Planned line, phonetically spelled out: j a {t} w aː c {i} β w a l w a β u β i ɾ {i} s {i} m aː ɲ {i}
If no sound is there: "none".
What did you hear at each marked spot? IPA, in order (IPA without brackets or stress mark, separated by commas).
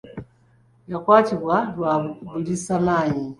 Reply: k, i, i, a, i